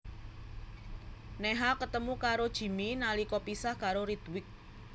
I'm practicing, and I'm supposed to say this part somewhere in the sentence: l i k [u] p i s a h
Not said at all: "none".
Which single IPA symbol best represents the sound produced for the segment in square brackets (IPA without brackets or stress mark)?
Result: ɔ